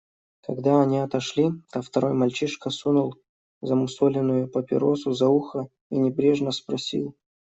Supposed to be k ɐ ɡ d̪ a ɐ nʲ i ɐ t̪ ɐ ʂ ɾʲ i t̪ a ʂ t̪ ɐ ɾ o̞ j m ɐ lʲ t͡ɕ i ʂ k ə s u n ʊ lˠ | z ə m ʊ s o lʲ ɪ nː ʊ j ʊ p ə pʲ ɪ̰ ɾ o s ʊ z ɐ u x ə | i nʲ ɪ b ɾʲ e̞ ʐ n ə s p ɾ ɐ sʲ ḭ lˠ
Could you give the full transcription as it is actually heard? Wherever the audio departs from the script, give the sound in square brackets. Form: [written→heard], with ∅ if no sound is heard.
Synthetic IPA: k ɐ ɡ d̪ a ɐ nʲ i ɐ t̪ ɐ ʂ [ɾʲ→lʲ] i t̪ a [ʂ→f] t̪ ɐ ɾ o̞ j m ɐ lʲ t͡ɕ i ʂ k ə s u n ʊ lˠ | z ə m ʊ s o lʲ ɪ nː ʊ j ʊ p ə pʲ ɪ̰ ɾ o s ʊ z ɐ u x ə | i nʲ ɪ b ɾʲ e̞ ʐ n ə s p ɾ ɐ sʲ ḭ lˠ